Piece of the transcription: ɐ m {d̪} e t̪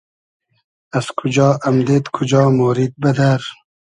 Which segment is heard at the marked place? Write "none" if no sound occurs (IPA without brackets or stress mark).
d̪